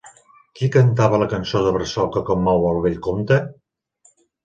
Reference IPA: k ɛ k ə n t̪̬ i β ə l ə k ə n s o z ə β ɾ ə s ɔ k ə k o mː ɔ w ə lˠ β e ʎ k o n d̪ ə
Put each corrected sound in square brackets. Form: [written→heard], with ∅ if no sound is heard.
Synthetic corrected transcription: k [ɛ→i] k ə n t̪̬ [i→a] β ə l ə k ə n s o [z→ð] ə β ɾ ə s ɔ k ə k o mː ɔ w ə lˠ β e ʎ k o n [d̪→t̪] ə